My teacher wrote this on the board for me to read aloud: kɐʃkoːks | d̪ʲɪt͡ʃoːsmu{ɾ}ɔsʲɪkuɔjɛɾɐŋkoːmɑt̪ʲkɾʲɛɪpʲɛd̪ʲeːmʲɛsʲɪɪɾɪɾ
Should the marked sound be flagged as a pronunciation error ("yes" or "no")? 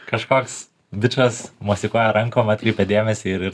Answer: yes